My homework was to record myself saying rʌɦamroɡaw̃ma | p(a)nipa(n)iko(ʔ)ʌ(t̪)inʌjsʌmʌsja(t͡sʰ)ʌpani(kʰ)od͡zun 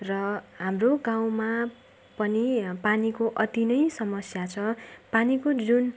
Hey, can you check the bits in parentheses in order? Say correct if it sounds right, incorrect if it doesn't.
incorrect: ʌ, correct, correct, correct, correct, incorrect: k

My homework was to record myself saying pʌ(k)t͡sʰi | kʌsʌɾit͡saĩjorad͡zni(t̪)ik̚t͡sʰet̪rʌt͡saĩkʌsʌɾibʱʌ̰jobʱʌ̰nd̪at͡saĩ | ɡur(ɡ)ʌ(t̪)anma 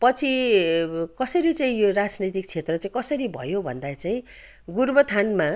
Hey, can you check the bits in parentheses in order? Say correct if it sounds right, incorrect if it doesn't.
incorrect: none, correct, incorrect: b, incorrect: t̪ʰ

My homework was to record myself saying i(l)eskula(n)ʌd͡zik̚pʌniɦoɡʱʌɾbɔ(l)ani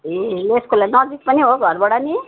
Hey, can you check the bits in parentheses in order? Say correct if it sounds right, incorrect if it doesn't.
correct, correct, incorrect: ɽ

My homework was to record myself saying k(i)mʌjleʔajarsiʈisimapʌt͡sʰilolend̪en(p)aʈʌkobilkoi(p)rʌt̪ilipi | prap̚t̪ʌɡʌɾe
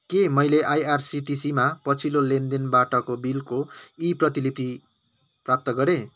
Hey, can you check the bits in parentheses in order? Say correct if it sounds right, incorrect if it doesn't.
incorrect: e, incorrect: b, correct

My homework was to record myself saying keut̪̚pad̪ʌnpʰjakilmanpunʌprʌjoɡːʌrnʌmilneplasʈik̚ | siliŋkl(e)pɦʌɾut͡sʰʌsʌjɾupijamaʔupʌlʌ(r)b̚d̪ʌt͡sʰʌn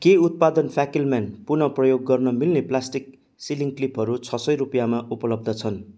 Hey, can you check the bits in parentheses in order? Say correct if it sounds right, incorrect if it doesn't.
incorrect: i, incorrect: none

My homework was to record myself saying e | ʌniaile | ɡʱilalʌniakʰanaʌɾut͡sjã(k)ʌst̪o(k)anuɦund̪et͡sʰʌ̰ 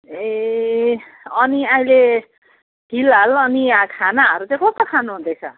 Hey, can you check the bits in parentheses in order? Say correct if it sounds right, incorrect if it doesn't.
correct, incorrect: kʰ

